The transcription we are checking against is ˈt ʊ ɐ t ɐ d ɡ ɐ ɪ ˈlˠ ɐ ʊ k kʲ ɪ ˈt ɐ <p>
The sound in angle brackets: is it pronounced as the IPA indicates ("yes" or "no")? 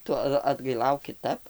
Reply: yes